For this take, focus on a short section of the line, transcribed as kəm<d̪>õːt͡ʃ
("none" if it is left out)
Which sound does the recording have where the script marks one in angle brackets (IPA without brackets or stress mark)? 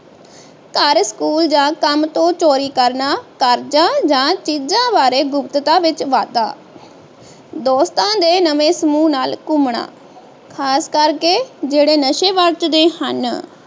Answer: t̪